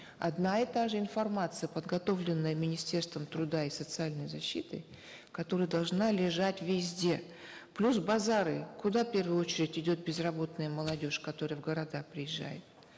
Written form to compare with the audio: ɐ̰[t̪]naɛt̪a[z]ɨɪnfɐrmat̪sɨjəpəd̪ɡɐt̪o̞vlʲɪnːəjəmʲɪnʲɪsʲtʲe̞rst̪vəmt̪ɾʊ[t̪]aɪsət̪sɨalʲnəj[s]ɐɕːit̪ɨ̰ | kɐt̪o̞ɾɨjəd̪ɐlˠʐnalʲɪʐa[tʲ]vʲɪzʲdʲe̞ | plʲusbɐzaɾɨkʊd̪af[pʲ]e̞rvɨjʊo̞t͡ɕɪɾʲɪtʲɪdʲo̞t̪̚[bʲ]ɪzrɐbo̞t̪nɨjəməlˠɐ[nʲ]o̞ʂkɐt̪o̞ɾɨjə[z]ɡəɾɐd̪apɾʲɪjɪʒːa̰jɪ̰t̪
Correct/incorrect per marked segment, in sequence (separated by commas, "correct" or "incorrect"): incorrect, incorrect, incorrect, incorrect, correct, correct, correct, incorrect, incorrect